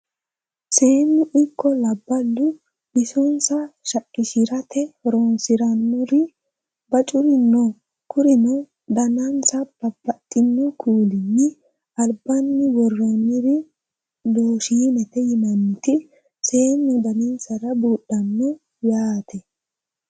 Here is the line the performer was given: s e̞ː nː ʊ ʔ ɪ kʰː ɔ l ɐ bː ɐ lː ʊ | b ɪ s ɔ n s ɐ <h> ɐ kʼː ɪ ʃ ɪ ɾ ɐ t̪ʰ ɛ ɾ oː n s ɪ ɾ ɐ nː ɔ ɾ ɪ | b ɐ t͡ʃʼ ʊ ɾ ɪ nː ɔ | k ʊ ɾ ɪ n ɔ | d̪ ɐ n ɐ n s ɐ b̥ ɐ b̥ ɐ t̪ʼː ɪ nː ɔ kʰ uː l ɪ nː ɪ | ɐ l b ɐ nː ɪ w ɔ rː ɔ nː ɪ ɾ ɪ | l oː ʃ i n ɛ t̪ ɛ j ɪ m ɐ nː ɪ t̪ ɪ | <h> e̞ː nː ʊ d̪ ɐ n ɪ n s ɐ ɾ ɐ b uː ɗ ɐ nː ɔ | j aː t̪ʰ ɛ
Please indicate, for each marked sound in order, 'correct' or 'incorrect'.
incorrect: ʃ, incorrect: s

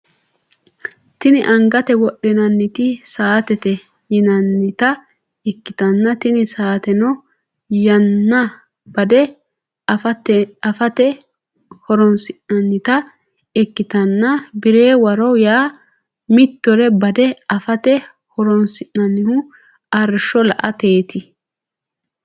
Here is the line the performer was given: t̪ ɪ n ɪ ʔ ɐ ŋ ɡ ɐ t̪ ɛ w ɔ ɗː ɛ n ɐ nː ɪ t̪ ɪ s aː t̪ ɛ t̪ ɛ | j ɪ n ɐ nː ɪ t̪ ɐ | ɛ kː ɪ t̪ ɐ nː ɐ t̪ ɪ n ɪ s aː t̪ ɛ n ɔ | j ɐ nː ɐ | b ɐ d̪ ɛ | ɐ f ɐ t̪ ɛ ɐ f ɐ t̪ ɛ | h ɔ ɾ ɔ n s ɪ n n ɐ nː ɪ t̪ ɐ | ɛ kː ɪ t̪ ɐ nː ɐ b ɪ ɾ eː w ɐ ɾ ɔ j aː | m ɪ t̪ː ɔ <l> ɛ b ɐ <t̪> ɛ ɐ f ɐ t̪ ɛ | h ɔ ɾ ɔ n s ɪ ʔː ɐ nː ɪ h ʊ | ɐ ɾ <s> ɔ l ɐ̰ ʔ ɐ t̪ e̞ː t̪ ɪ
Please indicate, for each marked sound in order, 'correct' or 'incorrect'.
incorrect: ɾ, incorrect: d̪, incorrect: ʃ

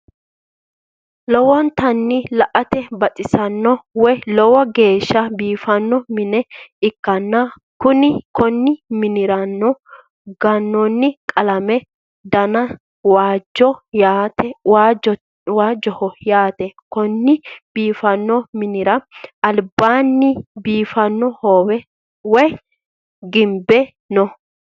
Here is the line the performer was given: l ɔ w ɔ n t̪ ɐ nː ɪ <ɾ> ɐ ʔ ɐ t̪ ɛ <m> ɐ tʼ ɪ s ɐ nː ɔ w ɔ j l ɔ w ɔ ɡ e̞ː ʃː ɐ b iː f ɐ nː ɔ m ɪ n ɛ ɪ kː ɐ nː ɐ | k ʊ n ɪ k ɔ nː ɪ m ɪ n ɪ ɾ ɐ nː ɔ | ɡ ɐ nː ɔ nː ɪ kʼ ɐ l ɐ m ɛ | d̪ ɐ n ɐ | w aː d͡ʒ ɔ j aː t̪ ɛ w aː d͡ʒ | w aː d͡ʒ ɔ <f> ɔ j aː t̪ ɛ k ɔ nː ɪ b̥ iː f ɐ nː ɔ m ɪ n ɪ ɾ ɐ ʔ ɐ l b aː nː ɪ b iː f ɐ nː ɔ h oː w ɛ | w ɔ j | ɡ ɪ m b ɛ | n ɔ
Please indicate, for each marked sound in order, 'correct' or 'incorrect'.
incorrect: l, incorrect: b, incorrect: h

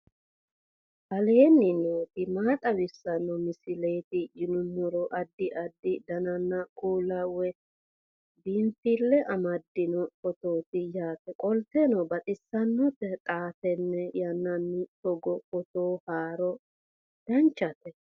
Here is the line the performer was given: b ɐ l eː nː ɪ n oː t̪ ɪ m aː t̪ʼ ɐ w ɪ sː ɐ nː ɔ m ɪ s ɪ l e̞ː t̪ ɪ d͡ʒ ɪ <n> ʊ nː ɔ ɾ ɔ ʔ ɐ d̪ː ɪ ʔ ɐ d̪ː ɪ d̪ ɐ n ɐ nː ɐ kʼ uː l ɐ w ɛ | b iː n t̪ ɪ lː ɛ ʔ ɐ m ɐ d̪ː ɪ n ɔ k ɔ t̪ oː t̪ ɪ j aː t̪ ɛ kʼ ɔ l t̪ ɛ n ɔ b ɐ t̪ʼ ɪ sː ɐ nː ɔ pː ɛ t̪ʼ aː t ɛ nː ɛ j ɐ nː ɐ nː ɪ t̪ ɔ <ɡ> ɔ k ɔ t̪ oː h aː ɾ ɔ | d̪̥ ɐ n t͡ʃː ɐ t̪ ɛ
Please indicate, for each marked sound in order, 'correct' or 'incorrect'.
correct, correct

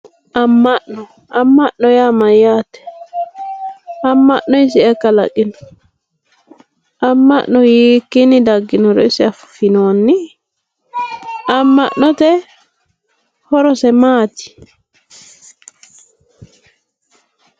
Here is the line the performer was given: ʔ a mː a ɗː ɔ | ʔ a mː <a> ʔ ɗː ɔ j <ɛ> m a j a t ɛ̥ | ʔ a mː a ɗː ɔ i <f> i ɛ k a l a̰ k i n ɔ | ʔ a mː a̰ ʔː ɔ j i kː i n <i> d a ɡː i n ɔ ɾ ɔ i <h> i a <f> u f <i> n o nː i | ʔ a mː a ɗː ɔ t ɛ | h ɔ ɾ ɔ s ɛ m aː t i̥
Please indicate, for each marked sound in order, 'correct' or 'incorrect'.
correct, incorrect: a, incorrect: s, correct, incorrect: s, correct, correct

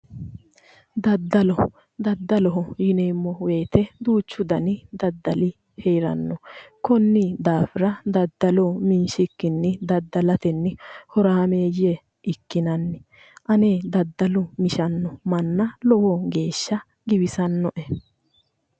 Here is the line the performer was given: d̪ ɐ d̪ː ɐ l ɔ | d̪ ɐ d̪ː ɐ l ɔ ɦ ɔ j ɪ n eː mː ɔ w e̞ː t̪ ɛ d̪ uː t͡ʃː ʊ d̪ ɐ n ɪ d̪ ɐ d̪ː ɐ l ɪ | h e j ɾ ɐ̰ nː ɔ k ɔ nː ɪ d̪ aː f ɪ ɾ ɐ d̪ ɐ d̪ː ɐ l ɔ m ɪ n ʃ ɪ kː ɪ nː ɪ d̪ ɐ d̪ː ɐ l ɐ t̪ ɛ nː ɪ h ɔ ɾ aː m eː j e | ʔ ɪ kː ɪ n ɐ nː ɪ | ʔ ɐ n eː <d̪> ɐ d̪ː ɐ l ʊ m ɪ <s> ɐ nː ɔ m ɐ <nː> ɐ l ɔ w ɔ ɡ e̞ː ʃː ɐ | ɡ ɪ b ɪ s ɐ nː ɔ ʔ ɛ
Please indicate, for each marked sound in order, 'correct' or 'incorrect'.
correct, incorrect: ʃ, correct

